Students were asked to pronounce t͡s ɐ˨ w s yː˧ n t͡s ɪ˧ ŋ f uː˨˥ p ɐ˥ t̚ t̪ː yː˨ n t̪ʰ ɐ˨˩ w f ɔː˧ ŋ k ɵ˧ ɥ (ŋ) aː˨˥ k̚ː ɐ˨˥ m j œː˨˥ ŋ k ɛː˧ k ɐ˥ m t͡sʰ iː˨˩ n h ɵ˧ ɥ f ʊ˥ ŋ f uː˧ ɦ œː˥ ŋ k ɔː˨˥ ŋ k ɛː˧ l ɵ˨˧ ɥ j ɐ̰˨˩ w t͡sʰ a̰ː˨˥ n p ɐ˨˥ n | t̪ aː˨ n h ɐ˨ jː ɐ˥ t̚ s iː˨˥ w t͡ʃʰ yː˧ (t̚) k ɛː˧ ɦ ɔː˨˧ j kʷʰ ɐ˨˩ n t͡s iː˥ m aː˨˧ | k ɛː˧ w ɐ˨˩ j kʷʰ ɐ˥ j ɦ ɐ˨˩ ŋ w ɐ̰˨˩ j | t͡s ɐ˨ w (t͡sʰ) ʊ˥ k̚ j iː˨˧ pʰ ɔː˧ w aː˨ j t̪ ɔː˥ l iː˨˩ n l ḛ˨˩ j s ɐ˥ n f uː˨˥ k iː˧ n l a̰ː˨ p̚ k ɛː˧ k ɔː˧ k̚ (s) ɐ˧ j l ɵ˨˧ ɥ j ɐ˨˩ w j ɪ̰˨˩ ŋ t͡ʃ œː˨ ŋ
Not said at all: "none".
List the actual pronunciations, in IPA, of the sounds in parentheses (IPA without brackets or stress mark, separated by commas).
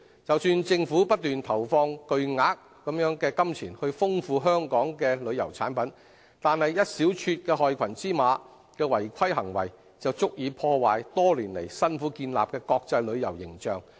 ŋ, t̚, t͡s, t͡s